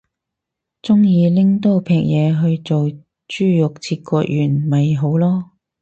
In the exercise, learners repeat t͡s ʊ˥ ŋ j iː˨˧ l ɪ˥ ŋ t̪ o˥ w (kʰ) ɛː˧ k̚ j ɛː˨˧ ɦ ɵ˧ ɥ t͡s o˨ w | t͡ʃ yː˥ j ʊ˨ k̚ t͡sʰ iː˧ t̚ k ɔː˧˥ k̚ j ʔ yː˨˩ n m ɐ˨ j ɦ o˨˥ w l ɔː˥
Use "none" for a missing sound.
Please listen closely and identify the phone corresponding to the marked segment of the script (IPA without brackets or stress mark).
pʰ